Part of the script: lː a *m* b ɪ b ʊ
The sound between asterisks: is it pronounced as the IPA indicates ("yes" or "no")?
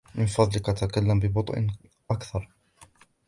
yes